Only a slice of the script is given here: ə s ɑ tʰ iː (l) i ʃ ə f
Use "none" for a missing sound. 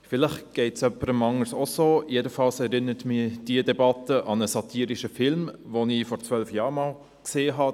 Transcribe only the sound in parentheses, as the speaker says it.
ɾ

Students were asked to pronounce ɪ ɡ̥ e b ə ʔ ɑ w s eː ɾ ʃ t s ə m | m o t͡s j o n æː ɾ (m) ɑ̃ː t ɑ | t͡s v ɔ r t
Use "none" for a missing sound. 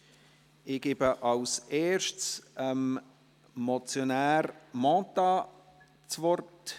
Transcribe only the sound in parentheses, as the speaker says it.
m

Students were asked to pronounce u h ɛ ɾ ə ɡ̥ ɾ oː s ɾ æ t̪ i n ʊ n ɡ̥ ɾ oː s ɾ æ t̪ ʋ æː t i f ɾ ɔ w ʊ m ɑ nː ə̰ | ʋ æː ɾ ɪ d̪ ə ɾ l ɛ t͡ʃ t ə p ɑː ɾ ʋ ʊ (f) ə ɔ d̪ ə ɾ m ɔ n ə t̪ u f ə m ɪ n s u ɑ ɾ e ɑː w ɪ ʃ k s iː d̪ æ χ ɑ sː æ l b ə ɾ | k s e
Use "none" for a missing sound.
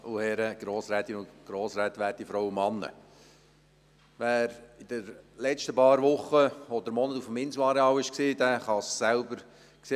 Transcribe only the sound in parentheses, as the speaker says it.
χ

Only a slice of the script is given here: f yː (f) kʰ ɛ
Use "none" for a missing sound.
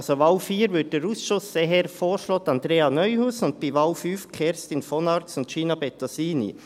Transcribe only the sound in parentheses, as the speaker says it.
f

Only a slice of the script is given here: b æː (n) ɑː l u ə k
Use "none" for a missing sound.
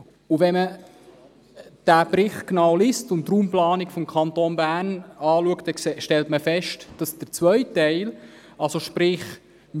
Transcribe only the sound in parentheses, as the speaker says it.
n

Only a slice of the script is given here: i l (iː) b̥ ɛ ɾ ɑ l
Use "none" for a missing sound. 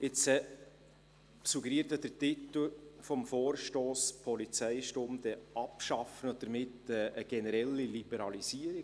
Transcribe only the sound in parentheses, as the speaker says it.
i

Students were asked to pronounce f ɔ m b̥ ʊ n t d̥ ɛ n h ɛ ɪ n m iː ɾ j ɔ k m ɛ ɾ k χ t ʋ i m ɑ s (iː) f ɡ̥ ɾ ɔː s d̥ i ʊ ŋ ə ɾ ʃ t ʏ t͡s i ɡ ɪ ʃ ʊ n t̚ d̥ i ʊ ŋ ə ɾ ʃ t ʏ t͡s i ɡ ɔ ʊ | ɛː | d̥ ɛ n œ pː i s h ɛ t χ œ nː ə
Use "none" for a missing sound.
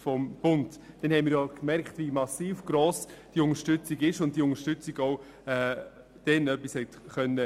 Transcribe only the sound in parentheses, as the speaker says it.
iː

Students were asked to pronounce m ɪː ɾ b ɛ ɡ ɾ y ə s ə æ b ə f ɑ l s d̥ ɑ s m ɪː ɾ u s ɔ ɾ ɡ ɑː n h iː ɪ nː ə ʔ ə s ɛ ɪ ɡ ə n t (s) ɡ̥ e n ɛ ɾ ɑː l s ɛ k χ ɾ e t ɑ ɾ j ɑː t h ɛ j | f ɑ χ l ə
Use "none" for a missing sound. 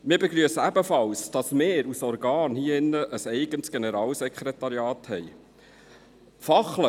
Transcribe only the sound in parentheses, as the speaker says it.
s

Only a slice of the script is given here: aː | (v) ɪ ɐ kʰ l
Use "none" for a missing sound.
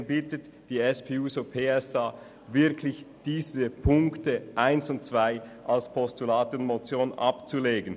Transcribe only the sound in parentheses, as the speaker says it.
v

